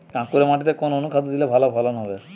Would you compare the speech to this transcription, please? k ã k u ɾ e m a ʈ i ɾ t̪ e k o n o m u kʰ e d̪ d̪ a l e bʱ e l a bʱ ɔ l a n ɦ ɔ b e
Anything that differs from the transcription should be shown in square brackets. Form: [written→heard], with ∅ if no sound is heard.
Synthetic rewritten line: k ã k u ɾ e m a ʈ i [ɾ→∅] t̪ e k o n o [m→n] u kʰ [e→a] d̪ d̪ [a→i] l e bʱ [e→a] l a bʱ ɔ l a n ɦ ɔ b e

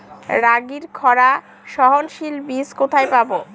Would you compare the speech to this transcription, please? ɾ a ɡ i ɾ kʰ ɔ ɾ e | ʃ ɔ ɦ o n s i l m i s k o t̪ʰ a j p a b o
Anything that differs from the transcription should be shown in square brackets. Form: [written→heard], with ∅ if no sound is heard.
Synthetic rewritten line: ɾ a ɡ i ɾ kʰ ɔ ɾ [e→a] | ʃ ɔ ɦ o n [s→ʃ] i l [m→b] i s k o t̪ʰ a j p a b o

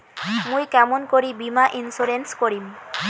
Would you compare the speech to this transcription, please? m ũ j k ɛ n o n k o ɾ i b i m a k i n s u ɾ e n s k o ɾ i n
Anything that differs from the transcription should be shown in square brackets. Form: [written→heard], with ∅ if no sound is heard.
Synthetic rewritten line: m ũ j k ɛ [n→m] o n k o ɾ i b i m a [k→ʔ] i n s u ɾ e n s k o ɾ i [n→m]

